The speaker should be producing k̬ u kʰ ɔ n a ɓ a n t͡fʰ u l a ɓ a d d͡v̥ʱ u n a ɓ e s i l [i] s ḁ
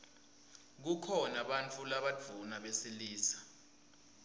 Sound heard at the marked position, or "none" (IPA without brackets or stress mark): iː